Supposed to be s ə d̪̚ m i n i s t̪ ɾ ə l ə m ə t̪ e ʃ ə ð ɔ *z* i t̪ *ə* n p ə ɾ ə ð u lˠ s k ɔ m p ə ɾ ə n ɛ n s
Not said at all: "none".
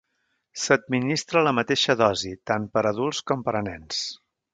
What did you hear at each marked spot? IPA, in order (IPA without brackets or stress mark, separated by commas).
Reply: z, a